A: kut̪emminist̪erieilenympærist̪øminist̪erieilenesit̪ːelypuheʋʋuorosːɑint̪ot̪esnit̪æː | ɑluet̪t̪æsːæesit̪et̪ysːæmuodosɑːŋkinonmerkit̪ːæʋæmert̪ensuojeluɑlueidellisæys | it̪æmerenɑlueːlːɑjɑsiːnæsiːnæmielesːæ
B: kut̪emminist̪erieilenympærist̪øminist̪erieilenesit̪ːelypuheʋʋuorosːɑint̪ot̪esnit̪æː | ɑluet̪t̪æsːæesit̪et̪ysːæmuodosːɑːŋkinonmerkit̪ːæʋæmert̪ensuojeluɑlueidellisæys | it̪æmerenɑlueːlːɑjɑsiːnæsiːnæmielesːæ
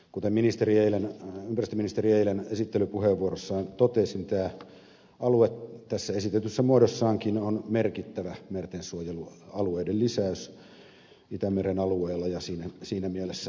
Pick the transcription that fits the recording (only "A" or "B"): B